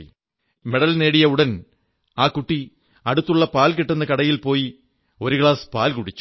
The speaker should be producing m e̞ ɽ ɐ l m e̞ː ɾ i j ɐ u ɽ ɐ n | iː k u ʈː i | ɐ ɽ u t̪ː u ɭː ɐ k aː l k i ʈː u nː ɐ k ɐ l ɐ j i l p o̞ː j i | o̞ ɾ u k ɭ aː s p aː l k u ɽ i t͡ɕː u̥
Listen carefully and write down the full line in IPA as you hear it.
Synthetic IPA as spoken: m e̞ ɽ ɐ l n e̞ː ɽ i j ɐ u ɽ ɐ n | aː k u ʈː i | ɐ ɽ u t̪ː u ɭː ɐ p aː l k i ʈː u nː ɐ k ɐ ɽ ɐ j i l p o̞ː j i | o̞ ɾ u k ɭ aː s p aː l k u ɽ i t͡ɕː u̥